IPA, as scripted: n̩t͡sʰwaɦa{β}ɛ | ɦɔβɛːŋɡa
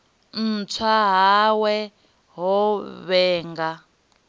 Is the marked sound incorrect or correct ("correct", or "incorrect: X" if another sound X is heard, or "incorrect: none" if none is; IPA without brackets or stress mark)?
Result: incorrect: w